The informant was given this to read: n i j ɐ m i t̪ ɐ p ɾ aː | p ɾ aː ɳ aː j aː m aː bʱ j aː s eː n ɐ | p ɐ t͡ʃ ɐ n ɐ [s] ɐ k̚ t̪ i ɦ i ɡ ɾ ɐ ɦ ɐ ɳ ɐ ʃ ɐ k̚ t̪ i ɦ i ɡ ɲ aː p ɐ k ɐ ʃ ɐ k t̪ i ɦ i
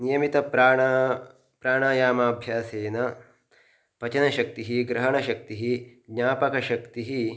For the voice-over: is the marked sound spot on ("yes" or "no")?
no